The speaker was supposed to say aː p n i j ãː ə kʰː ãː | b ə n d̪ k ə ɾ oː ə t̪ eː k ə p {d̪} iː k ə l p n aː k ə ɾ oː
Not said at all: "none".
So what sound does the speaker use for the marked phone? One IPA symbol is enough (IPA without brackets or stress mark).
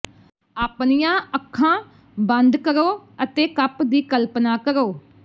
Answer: d̪